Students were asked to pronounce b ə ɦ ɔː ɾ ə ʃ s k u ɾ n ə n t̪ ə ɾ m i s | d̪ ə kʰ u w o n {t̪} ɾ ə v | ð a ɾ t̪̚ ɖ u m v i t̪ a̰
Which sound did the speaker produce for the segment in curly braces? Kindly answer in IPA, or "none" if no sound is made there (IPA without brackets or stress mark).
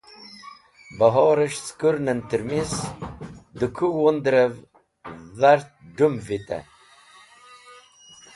d̪